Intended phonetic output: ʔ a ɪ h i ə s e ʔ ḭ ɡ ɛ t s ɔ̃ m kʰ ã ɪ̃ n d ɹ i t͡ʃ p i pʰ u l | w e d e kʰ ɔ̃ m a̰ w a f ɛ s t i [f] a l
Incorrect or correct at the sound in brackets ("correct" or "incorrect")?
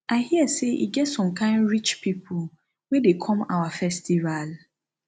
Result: incorrect